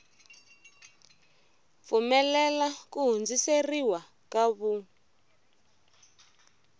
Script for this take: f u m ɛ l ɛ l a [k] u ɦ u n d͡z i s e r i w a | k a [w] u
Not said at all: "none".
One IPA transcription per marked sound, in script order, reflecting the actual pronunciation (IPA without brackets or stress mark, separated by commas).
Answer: k, β